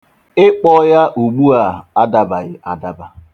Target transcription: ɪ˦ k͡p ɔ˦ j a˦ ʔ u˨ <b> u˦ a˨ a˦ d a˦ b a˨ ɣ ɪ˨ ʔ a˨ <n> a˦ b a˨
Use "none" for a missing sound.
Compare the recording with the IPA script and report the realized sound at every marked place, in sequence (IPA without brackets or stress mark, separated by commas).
ɡ͡b, d